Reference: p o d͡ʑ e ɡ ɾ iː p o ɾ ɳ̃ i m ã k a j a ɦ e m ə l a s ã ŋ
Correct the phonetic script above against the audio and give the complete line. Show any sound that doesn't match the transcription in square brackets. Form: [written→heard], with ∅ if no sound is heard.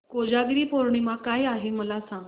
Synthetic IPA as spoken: [p→k] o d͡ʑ [e→a] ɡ ɾ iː p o ɾ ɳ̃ i m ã k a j a ɦ e m ə l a s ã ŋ